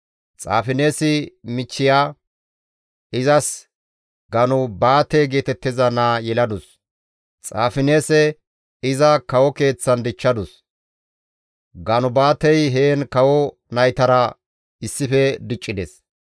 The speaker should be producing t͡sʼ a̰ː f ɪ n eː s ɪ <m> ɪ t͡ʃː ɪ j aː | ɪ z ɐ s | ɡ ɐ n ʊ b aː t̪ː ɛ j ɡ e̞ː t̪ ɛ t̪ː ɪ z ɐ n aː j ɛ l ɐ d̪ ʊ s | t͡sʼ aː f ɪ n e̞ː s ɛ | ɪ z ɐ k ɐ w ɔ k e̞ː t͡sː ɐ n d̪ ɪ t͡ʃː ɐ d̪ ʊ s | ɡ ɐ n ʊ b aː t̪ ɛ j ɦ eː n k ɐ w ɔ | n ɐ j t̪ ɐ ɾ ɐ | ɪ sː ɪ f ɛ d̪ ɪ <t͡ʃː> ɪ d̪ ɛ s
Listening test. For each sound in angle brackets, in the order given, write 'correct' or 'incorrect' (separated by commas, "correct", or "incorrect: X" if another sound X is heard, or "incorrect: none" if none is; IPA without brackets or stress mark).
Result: correct, incorrect: t͡ʃʼː